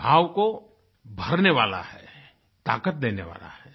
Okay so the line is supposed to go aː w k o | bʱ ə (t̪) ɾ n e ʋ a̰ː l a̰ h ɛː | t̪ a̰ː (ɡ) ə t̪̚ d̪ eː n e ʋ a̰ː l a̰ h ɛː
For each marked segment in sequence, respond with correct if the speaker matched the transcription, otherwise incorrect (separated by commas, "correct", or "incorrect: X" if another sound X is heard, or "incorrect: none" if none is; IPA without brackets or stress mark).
incorrect: none, incorrect: k